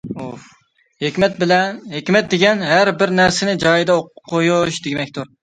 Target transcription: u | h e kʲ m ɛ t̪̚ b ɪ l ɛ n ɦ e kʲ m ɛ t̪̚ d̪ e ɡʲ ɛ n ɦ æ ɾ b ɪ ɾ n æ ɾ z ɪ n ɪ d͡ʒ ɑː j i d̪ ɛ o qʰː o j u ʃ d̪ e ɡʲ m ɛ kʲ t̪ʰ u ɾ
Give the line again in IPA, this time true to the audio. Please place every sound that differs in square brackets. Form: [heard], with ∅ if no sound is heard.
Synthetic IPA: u | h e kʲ m ɛ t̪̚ b ɪ l ɛ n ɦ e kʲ m ɛ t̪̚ d̪ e ɡʲ ɛ n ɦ æ ɾ b ɪ ɾ n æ ɾ [s] ɪ n ɪ d͡ʒ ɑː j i d̪ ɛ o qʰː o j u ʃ d̪ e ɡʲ m ɛ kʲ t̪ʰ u ɾ